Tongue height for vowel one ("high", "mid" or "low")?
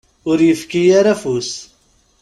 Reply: high